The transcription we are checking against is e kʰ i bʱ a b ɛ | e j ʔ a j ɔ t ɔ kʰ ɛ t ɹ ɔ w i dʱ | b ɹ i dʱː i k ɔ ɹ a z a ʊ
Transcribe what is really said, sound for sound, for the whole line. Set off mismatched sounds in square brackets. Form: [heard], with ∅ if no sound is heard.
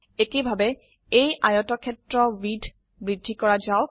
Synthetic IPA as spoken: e [k] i bʱ a b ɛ | e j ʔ a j ɔ t ɔ kʰ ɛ t ɹ ɔ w i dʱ | b ɹ i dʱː i k ɔ ɹ a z a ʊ